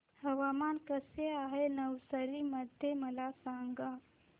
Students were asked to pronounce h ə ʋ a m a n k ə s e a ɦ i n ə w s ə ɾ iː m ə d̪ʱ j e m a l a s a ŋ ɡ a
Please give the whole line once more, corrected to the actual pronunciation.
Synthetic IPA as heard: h ə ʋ a m a n k ə s e a ɦ e n ə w s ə ɾ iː m ə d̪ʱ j e m ə l a s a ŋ ɡ a